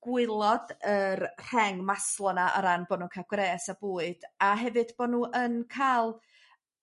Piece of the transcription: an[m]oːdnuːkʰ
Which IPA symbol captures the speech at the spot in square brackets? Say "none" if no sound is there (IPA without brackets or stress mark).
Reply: b